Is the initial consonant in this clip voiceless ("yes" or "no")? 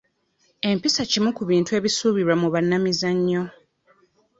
no